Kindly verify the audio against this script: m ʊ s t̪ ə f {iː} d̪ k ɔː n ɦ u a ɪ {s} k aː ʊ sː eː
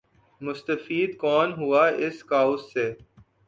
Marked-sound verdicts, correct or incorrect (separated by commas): correct, correct